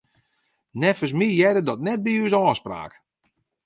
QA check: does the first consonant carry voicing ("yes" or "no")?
yes